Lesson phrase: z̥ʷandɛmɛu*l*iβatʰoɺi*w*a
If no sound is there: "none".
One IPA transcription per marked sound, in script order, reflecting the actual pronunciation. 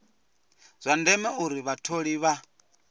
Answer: ɾ, β

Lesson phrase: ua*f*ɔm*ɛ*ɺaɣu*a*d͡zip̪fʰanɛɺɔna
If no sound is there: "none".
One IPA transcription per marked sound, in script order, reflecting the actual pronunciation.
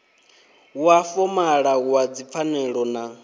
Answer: f, a, a

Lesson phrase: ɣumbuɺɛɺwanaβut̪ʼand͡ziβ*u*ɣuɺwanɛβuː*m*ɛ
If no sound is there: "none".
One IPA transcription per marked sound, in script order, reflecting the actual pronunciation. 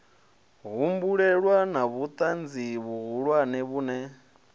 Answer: u, n

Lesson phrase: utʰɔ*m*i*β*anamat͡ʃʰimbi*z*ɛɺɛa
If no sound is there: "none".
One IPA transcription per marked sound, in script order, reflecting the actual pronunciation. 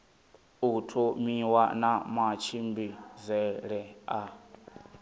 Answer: m, w, z

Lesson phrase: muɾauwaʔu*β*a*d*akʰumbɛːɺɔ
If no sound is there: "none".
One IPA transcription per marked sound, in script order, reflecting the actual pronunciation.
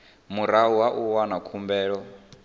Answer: w, n

